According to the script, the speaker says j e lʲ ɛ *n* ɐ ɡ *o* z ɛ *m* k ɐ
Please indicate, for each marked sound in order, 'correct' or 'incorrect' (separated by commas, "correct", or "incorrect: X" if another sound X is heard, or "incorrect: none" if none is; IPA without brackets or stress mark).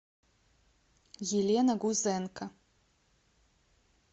correct, incorrect: u, incorrect: n